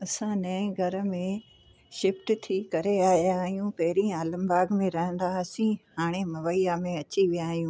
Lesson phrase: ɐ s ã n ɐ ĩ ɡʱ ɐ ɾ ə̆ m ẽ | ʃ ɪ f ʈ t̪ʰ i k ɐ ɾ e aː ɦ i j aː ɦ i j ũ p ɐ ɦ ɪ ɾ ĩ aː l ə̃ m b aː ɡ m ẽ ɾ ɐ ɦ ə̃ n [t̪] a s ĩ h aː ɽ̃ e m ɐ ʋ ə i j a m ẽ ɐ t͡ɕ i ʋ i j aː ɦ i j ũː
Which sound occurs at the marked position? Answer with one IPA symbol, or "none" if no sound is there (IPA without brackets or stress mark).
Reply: d̪